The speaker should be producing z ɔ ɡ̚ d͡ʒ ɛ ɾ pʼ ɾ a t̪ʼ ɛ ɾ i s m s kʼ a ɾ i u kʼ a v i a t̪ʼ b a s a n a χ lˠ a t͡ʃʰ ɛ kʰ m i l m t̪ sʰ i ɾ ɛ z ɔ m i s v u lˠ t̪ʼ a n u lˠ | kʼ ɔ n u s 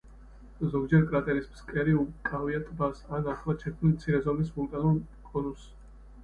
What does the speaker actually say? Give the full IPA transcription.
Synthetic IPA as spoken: z ɔ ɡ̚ d͡ʒ ɛ ɾ kʼ ɾ a t̪ʼ ɛ ɾ i s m s kʼ ɛ ɾ i u kʼ a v i a t̪ʼ b a s a n a χ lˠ a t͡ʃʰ ɛ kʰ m i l m t̪ sʰ i ɾ ɛ z ɔ m i s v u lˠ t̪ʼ a n u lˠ | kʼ ɔ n u s